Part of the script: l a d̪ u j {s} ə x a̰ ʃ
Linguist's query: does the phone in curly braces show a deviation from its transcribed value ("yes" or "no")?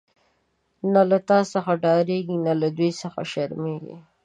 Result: no